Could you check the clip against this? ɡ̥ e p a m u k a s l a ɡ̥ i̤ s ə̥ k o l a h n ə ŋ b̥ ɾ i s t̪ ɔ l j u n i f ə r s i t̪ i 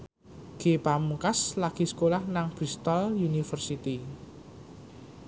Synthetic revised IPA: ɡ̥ e p a m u k a s l a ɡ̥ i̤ s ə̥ k o l a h n a ŋ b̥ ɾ i s t̪ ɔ l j u n i f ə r s i t̪ i